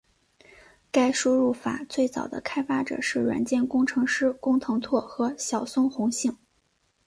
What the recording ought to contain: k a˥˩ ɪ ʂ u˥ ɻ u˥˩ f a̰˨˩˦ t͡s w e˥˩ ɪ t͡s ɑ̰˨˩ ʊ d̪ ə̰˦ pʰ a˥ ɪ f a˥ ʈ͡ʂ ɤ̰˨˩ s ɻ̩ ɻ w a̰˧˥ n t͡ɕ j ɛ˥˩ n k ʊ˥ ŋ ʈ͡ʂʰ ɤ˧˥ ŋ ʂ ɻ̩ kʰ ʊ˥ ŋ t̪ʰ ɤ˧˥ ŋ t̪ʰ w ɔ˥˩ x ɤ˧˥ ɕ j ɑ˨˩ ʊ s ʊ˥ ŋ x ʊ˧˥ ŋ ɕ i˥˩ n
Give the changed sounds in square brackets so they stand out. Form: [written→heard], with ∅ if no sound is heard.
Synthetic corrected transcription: k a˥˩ ɪ ʂ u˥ ɻ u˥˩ f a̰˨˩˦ t͡s w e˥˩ ɪ t͡s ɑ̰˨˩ ʊ d̪ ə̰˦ [pʰ→kʰ] a˥ ɪ f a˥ ʈ͡ʂ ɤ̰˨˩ [s→ʂ] ɻ̩ ɻ w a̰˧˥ n t͡ɕ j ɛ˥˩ n k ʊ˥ ŋ ʈ͡ʂʰ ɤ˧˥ ŋ ʂ ɻ̩ [kʰ→k] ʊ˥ ŋ t̪ʰ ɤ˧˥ ŋ t̪ʰ w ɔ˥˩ x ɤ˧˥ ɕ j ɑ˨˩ ʊ s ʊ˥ ŋ x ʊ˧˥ ŋ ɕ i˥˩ [n→ŋ]

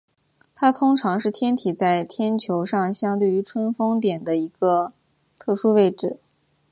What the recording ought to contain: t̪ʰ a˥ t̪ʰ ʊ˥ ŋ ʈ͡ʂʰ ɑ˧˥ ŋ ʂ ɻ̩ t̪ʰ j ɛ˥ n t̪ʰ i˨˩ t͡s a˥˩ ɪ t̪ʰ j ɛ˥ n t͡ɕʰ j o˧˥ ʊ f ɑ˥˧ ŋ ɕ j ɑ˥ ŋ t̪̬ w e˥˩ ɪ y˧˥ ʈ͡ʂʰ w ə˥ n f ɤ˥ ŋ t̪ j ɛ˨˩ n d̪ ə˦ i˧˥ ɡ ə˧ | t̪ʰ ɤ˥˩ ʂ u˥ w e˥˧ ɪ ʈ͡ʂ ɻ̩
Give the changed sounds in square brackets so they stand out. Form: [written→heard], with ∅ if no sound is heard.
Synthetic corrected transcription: t̪ʰ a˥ t̪ʰ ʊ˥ ŋ ʈ͡ʂʰ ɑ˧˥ ŋ ʂ ɻ̩ t̪ʰ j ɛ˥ n t̪ʰ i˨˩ t͡s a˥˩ ɪ t̪ʰ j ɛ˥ n t͡ɕʰ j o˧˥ ʊ [f→ʂ] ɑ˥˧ ŋ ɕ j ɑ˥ ŋ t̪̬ w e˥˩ ɪ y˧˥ ʈ͡ʂʰ w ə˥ n f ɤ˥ ŋ t̪ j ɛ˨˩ n d̪ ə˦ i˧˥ ɡ ə˧ | t̪ʰ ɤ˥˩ ʂ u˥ w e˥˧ ɪ ʈ͡ʂ ɻ̩

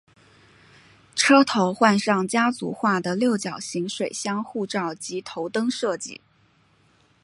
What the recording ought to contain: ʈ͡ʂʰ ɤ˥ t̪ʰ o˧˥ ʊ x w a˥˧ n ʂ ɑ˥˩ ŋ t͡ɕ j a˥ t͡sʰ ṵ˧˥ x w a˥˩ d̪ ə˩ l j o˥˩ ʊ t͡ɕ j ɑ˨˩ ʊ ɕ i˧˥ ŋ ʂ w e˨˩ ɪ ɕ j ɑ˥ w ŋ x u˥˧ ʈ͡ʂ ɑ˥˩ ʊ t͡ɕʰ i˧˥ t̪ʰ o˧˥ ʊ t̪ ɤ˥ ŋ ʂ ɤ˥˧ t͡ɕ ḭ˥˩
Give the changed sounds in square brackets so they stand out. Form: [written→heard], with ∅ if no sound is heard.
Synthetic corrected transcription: ʈ͡ʂʰ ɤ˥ t̪ʰ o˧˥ ʊ x w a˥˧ n ʂ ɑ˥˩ ŋ t͡ɕ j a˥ [t͡sʰ→t͡s] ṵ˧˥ x w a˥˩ d̪ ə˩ l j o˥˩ ʊ t͡ɕ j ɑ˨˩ ʊ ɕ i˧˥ ŋ ʂ w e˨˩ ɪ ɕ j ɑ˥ [w→∅] ŋ x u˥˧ ʈ͡ʂ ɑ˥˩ ʊ [t͡ɕʰ→t͡ɕ] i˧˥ t̪ʰ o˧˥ ʊ t̪ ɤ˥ ŋ ʂ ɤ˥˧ t͡ɕ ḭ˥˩

